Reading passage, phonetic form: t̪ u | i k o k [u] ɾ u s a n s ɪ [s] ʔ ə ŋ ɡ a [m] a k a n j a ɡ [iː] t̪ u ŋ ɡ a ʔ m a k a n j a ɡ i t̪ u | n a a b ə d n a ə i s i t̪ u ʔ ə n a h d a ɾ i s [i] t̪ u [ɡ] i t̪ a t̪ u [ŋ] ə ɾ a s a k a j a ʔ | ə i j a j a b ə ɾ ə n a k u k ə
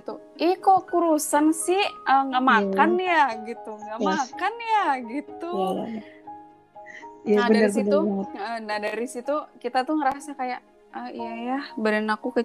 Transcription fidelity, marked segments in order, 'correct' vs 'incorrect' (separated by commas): correct, incorrect, correct, incorrect, correct, incorrect, correct